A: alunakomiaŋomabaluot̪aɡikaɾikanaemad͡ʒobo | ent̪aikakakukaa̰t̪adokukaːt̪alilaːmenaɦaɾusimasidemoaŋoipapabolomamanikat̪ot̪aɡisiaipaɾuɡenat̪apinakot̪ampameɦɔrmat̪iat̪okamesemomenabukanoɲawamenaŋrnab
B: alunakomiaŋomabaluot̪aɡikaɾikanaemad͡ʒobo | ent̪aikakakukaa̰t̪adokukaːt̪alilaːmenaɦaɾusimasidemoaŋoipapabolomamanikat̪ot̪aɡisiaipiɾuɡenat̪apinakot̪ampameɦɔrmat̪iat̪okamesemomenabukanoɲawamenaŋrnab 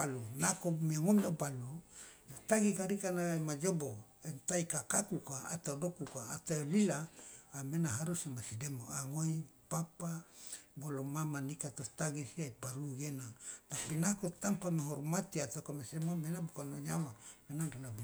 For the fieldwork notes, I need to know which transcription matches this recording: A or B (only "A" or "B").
A